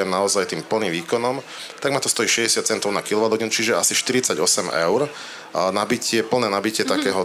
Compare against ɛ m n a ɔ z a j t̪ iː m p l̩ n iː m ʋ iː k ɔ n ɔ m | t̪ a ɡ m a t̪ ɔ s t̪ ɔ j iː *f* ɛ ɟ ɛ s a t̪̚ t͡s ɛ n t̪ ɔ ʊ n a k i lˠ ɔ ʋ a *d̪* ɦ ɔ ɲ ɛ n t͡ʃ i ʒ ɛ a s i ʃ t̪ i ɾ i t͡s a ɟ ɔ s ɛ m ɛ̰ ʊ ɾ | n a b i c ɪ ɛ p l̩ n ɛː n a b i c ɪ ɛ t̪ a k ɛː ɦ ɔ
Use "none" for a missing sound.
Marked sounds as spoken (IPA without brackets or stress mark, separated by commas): ʃ, d̪